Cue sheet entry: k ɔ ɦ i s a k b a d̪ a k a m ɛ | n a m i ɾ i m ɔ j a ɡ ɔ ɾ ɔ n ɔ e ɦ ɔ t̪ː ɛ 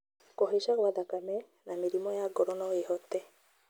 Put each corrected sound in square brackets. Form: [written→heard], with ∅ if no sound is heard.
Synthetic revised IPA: k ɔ ɦ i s a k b a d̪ a k a m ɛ | n a m i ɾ i m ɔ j a ɡ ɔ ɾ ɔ n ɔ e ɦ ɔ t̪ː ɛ